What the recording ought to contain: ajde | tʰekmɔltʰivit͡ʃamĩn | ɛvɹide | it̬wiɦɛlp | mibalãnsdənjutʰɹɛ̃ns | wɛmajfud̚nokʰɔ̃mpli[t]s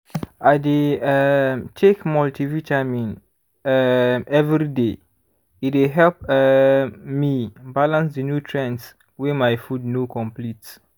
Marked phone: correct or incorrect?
correct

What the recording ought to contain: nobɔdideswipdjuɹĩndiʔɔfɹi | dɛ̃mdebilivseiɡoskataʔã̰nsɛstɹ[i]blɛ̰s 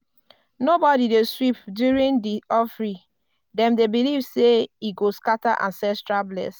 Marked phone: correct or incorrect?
incorrect: a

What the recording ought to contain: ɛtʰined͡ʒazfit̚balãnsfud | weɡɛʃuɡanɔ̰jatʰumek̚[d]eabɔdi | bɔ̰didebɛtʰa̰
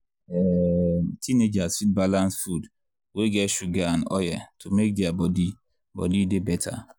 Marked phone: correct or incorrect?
correct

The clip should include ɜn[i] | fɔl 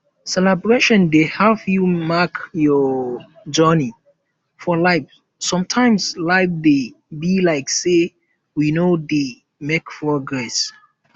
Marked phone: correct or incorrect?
correct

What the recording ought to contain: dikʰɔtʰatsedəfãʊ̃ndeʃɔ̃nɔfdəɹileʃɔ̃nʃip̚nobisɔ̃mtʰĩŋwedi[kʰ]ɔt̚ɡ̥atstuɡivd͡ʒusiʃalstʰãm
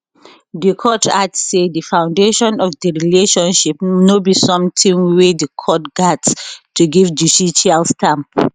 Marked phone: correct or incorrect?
correct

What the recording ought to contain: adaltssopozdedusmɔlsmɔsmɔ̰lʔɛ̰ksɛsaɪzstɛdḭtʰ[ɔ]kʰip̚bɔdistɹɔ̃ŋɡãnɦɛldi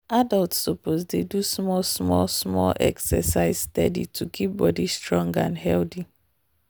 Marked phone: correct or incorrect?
incorrect: u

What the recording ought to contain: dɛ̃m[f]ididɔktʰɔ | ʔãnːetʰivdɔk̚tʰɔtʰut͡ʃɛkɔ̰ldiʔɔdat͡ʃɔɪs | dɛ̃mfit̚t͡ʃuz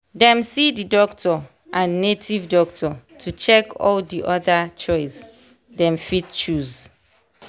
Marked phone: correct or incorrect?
incorrect: s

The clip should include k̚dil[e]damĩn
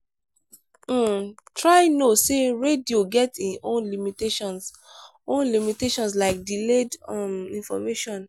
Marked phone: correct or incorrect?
correct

